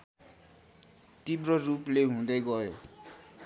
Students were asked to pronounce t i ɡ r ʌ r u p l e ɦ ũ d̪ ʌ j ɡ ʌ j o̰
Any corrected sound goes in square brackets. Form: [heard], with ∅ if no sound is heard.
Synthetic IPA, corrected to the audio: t i [b] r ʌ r u p l e ɦ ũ d̪ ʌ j ɡ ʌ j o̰